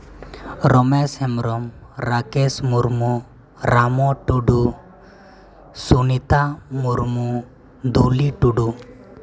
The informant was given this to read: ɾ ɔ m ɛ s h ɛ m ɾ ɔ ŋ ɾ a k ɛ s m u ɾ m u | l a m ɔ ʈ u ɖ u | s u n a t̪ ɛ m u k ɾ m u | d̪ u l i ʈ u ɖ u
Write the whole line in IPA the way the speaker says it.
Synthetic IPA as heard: ɾ ɔ m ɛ s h ɛ m ɾ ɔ m ɾ a k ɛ s m u ɾ m u | ɾ a m ɔ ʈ u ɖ u | s u n i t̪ a m u ɾ m u | d̪ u l i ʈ u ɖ u